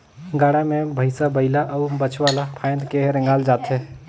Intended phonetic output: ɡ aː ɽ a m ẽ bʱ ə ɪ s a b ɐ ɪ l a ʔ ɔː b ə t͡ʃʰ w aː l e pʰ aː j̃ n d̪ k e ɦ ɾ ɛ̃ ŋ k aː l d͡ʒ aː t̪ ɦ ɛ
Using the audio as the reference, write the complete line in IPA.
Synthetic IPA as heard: ɡ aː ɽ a m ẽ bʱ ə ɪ s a b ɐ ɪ l a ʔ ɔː b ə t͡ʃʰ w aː l a pʰ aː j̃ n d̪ k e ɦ ɾ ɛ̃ ŋ ɡ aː l d͡ʒ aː t̪ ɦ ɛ